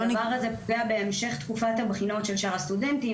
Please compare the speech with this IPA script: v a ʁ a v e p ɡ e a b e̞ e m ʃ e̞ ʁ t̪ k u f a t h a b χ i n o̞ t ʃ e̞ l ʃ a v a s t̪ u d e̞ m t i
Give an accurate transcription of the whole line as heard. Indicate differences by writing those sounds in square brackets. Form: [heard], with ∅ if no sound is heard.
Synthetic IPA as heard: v a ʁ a [z] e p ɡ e a b e̞ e m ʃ e̞ [χ] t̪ k u f a t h a b χ i n o̞ t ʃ e̞ l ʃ a [ʁ] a s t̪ u d e̞ [n] t i